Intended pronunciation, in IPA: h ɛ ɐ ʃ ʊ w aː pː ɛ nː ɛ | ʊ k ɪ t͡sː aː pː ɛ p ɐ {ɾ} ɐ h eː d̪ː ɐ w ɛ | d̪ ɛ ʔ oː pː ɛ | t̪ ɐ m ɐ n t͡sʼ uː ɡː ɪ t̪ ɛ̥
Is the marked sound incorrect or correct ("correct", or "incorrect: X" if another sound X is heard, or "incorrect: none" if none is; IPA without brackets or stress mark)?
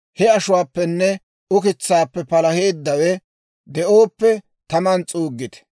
incorrect: l